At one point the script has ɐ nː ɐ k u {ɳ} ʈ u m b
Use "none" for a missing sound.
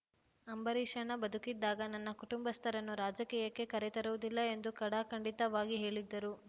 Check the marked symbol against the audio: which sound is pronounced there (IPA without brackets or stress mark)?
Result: none